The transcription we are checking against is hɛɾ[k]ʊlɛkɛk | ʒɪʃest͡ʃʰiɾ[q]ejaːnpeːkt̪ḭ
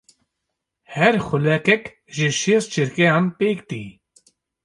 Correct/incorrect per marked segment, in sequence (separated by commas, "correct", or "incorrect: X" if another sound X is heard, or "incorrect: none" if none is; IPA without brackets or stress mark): incorrect: x, incorrect: k